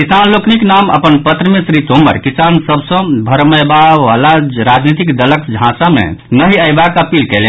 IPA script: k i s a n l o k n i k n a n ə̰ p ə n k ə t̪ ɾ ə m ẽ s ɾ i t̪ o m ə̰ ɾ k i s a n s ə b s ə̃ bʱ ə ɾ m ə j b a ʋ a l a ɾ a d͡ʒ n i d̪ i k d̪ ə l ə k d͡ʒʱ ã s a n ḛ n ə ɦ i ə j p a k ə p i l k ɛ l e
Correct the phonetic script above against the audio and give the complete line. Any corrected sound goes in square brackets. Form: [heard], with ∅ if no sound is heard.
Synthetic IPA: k i s a n l o k n i k n a [m] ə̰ p ə n [p] ə t̪ ɾ ə m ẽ s ɾ i t̪ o m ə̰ ɾ k i s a n s ə b s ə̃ bʱ ə ɾ m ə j b a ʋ a l a ɾ a d͡ʒ n i [t̪] i k d̪ ə l ə k d͡ʒʱ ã s a [m] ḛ n ə ɦ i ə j [b] a k ə p i l k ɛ l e